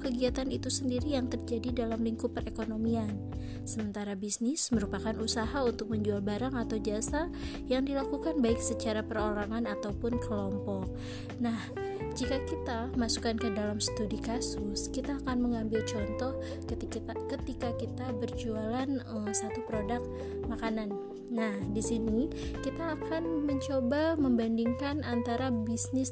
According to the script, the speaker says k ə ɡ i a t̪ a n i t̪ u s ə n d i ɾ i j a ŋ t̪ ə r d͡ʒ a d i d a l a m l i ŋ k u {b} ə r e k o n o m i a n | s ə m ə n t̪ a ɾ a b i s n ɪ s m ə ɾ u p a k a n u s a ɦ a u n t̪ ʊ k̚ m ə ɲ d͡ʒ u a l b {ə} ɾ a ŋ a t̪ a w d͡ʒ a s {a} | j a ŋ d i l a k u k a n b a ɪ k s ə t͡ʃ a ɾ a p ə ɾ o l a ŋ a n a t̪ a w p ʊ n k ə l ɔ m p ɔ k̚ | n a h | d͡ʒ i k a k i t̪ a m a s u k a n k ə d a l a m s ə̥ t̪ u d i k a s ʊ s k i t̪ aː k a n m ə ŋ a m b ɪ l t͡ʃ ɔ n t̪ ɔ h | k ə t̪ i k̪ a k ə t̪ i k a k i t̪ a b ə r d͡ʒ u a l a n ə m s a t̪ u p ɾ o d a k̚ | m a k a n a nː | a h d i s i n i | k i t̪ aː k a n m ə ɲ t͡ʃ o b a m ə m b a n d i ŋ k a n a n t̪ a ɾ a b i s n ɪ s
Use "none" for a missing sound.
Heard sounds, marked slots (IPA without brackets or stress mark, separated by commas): p, a, a